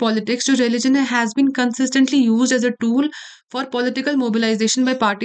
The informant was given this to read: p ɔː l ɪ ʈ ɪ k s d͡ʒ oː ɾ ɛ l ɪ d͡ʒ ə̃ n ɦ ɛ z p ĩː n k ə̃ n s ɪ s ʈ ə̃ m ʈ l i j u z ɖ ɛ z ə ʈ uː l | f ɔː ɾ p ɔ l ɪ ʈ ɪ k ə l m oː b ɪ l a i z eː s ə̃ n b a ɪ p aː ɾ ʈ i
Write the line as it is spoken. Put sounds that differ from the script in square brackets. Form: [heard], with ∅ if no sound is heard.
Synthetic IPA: p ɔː l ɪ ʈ ɪ k s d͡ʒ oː ɾ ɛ l ɪ d͡ʒ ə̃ n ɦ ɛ z [b] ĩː n k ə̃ n s ɪ s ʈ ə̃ [ɳ] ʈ l i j [uː] z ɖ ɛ z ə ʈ uː l | f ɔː ɾ p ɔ l ɪ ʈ ɪ k ə l m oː b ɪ l a [ɪ] z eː [ʃ] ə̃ n b a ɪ p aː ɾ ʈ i